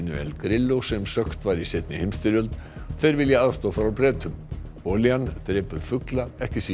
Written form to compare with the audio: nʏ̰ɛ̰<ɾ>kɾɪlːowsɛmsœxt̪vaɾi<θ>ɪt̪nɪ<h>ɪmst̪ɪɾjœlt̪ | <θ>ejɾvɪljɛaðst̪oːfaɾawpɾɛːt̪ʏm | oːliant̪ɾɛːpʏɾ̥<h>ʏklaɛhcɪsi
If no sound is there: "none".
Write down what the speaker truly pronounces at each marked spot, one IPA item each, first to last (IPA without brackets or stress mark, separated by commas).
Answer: l, s, h, θ, f